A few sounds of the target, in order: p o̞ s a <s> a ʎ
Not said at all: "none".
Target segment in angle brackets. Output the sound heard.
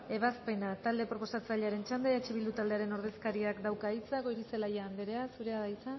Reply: t͡s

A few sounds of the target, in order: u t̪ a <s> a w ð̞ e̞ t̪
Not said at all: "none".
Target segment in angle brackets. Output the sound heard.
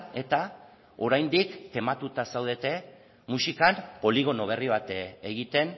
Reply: s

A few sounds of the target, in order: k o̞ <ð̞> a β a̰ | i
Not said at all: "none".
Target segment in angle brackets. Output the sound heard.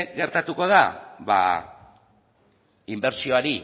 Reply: ð̞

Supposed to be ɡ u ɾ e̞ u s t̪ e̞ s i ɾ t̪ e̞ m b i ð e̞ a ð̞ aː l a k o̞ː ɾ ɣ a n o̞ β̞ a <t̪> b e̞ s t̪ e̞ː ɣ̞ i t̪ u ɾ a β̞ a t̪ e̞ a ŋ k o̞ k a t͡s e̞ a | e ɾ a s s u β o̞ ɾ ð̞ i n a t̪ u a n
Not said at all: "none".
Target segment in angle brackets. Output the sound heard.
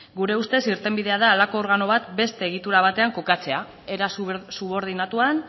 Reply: t̪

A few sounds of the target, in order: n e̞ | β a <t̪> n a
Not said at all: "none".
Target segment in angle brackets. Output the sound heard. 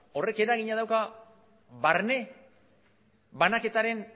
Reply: none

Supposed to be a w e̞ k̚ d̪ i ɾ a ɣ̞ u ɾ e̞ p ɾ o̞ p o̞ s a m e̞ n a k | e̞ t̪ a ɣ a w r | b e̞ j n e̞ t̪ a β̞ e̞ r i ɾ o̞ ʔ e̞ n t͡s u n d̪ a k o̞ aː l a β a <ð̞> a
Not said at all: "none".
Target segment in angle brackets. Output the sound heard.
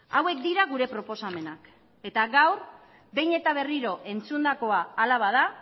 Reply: ð̞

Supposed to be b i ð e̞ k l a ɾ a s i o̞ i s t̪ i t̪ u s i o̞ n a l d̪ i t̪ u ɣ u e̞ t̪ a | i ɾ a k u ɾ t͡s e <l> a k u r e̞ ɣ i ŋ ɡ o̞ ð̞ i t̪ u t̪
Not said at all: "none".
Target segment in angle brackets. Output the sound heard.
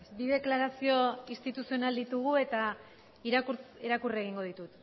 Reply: ɾ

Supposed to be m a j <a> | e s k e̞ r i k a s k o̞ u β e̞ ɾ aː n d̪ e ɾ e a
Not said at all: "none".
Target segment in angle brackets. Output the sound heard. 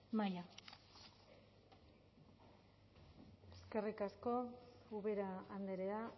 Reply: a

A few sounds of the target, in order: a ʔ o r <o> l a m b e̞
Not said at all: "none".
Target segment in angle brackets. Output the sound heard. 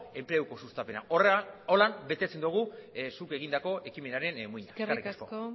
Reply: o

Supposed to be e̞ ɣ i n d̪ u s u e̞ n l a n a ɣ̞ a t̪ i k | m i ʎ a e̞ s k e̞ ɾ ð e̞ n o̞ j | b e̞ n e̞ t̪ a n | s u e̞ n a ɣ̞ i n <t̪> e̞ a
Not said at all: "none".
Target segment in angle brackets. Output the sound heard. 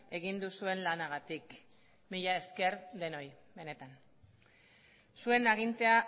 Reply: t̪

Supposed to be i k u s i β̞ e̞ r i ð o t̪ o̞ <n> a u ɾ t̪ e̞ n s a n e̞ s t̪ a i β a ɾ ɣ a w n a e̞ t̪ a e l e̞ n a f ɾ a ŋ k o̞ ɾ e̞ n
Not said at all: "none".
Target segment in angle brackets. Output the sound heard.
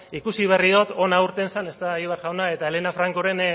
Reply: n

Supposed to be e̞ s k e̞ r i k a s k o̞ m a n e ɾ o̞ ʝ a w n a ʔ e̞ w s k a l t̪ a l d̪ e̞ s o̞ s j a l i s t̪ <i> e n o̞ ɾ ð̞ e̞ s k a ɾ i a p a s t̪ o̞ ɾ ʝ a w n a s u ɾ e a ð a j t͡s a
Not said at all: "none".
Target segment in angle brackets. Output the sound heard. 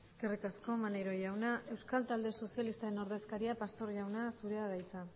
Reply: a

